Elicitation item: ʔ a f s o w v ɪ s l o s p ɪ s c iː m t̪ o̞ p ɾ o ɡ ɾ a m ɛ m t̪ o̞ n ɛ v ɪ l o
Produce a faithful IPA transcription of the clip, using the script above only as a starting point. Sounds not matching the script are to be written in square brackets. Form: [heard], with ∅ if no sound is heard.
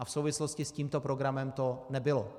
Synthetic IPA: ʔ a f s o w v ɪ s l o s [c] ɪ s c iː m t̪ o̞ p ɾ o ɡ ɾ a m ɛ m t̪ o̞ n ɛ [b] ɪ l o